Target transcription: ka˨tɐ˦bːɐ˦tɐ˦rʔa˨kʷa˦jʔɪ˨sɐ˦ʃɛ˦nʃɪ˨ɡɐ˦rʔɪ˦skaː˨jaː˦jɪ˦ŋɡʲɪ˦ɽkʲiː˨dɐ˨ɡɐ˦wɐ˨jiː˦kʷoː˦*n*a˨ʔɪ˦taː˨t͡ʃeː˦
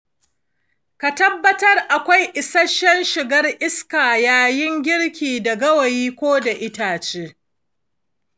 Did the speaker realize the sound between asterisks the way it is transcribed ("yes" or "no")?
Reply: no